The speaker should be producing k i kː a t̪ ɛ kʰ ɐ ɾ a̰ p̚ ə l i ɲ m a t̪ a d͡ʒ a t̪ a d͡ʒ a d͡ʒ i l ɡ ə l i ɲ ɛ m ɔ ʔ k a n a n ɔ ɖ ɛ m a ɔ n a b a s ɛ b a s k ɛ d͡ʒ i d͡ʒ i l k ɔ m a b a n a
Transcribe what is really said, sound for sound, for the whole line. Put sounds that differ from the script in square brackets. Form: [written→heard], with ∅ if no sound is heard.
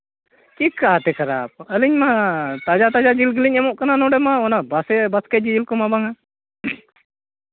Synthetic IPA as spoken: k i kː a t̪ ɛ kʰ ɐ ɾ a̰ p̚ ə l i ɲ m a t̪ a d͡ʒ a t̪ a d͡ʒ a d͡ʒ i l ɡ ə l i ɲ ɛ m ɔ ʔ k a n a n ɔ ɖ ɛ m a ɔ n a b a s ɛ b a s k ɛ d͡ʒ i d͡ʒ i l k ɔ m a b a [n→ŋ] a

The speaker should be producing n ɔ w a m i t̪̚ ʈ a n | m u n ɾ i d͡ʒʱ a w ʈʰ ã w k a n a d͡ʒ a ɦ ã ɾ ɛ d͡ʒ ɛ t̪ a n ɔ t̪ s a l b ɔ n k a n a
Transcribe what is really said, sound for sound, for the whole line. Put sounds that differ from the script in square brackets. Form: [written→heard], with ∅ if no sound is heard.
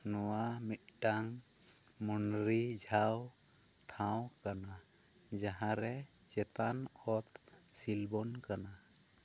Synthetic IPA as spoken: n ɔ w a m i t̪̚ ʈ a [n→ŋ] | m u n ɾ i d͡ʒʱ a w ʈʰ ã w k a n a d͡ʒ a ɦ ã ɾ ɛ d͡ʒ ɛ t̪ a n ɔ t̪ s [a→i] l b ɔ n k a n a

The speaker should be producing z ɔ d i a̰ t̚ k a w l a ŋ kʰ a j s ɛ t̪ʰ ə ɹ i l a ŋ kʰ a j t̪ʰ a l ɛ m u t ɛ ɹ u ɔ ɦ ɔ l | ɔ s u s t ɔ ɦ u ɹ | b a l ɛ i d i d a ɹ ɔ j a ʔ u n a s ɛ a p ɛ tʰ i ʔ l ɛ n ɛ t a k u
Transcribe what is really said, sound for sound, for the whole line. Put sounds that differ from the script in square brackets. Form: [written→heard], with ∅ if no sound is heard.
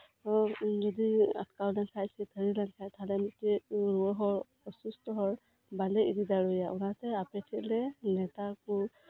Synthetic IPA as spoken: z ɔ d i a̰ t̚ k a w l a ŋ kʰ a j s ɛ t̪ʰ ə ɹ i l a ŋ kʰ a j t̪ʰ a l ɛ m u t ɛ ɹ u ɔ ɦ ɔ [l→ɹ] | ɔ s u s t ɔ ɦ [u→ɔ] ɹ | b a l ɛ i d i d a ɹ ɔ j a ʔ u n a [s→t] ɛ a p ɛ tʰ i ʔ l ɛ n ɛ t a k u

